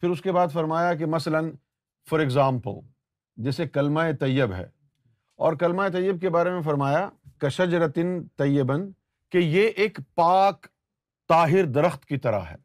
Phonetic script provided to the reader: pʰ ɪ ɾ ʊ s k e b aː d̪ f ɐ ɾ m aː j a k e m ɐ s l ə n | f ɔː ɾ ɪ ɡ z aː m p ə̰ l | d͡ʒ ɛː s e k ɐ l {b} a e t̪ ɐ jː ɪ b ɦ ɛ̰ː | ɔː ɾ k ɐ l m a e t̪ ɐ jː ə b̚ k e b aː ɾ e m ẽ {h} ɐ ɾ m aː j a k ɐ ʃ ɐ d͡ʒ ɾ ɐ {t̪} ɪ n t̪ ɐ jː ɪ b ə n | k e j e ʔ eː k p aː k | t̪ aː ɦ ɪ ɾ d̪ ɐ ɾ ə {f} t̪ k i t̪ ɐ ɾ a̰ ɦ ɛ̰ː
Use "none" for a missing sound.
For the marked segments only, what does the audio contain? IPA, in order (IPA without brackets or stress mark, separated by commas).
m, f, t̪, x